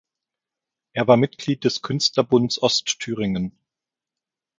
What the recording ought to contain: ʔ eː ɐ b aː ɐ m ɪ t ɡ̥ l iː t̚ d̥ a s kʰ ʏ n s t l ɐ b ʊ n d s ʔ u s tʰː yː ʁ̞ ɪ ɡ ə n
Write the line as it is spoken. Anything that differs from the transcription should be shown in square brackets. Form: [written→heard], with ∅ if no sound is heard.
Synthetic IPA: ʔ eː ɐ [b→v] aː ɐ m ɪ t ɡ̥ l iː t̚ d̥ [a→ɛ] s kʰ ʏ n s t l ɐ b ʊ n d s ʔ [u→ɔ] s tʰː yː ʁ̞ ɪ [ɡ→ŋ] ə n